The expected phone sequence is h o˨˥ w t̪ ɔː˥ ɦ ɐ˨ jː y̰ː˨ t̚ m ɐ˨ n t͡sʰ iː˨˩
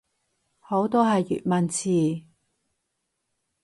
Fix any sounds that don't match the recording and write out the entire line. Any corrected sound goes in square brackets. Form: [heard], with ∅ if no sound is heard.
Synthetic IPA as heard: h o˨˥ w t̪ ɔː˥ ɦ ɐ˨ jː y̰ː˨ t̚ m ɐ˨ n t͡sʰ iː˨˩